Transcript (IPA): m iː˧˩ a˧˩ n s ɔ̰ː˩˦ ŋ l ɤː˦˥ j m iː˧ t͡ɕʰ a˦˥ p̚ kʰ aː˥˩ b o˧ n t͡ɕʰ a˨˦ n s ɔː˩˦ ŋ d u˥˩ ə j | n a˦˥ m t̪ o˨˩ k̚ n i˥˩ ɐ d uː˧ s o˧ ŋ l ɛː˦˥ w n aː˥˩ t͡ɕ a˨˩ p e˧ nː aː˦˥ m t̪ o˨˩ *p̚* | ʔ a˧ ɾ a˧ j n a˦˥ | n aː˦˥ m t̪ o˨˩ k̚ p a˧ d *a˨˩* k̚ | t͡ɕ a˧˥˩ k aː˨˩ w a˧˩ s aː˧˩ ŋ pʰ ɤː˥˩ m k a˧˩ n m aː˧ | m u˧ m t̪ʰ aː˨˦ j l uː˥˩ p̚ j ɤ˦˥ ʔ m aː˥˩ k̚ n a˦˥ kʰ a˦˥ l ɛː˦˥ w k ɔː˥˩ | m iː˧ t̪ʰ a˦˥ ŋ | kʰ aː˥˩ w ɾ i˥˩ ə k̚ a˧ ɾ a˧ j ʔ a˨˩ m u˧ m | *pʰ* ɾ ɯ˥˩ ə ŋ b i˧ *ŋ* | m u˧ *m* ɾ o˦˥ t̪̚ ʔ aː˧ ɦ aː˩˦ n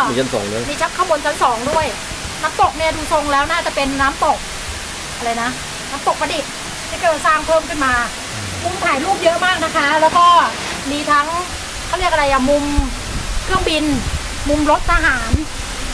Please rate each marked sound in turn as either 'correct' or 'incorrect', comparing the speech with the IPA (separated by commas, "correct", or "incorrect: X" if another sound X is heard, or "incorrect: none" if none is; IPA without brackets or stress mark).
incorrect: k̚, incorrect: i˨˩, incorrect: kʰ, incorrect: n, correct